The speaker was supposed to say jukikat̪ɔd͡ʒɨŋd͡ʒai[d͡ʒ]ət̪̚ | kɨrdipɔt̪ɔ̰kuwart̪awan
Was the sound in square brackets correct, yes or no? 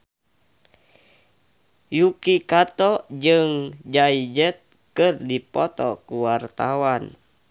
yes